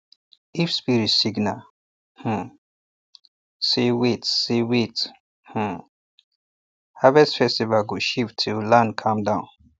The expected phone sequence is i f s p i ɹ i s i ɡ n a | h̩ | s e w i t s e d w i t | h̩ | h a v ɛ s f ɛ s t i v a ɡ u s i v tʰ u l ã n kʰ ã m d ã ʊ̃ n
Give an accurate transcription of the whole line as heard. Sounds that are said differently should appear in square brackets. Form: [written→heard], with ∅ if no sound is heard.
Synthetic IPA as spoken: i f s p i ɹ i s i ɡ n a | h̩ | s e w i t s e [d→∅] w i t | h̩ | h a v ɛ s f ɛ s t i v a ɡ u [s→ʃ] i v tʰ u l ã n kʰ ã m d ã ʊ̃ n